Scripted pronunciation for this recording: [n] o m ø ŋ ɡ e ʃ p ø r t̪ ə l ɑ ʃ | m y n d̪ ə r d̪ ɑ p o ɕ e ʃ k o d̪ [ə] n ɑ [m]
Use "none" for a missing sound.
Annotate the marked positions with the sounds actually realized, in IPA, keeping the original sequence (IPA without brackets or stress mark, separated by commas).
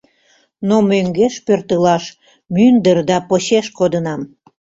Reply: n, ə, m